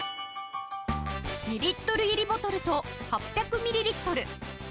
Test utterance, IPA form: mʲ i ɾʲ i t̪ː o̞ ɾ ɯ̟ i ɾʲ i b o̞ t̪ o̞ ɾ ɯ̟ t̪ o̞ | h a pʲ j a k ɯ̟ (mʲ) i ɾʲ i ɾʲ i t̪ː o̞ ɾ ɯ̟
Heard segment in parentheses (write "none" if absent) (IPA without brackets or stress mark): mʲ